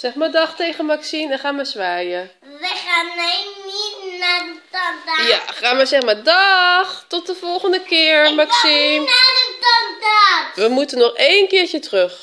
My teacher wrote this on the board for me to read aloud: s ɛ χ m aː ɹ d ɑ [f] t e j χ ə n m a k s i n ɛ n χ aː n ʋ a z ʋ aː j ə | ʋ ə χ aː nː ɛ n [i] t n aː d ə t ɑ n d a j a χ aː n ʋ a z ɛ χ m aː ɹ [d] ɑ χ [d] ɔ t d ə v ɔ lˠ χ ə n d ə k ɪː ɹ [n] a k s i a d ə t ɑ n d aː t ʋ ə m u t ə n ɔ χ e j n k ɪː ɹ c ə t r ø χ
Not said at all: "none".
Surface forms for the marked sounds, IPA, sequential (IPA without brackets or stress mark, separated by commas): χ, i, d, t, m